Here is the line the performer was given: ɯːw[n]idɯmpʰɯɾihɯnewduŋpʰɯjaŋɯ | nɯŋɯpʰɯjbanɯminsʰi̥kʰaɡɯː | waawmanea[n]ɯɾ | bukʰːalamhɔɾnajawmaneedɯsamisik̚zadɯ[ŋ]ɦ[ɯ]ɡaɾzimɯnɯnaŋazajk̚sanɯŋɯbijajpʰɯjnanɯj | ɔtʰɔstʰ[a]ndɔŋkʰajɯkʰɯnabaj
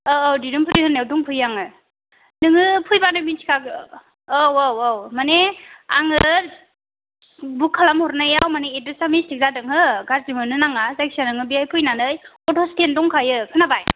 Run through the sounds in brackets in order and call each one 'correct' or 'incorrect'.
incorrect: d, incorrect: ŋ, correct, correct, incorrect: e

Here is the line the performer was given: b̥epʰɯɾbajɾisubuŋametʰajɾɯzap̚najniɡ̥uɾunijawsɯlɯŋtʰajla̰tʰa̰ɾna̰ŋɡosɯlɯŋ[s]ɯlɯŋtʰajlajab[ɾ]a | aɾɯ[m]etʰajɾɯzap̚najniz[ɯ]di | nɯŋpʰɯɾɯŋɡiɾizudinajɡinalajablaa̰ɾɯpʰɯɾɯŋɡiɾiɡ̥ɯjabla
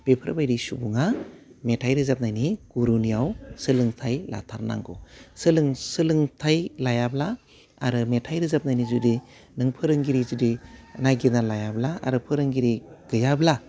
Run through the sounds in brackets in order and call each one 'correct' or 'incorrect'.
correct, incorrect: l, correct, incorrect: u

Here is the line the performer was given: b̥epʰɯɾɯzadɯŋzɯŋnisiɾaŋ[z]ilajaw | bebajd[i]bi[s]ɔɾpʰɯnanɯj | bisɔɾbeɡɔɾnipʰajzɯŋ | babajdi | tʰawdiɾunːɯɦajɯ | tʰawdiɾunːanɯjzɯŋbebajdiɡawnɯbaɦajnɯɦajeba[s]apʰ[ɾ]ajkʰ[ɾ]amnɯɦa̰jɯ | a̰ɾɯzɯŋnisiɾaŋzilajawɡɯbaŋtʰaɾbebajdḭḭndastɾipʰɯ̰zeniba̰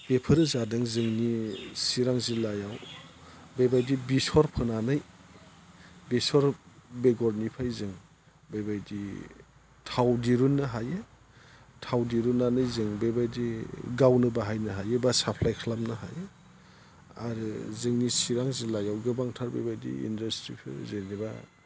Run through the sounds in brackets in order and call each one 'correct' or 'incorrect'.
correct, correct, correct, correct, incorrect: l, incorrect: l

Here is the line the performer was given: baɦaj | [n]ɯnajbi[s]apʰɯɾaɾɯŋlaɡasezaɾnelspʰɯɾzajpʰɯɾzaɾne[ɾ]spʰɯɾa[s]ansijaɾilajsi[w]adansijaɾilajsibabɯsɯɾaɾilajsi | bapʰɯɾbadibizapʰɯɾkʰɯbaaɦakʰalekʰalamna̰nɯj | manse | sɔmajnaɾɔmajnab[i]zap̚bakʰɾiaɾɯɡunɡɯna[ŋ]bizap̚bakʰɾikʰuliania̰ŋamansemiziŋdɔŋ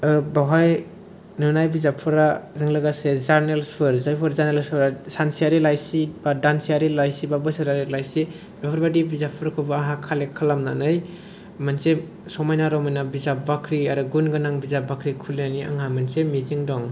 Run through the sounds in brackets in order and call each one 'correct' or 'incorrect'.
correct, incorrect: z, incorrect: l, correct, incorrect: b, correct, correct

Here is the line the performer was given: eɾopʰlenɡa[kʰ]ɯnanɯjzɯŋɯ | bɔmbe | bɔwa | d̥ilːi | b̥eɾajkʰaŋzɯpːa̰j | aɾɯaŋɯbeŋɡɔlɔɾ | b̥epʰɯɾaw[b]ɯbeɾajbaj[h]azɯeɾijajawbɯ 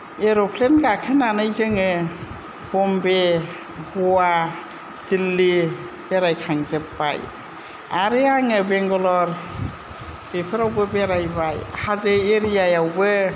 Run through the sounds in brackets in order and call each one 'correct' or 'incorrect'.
correct, correct, correct

